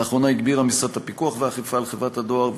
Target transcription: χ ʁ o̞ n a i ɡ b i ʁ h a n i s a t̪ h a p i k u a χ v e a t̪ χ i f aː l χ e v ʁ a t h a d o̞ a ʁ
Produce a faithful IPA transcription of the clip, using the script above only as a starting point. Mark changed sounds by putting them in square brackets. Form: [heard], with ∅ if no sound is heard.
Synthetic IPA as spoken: χ ʁ o̞ n a i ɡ b i ʁ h a [m] i s a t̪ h a p i k u a χ v e a [∅] χ i f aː l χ e v ʁ a t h a d o̞ a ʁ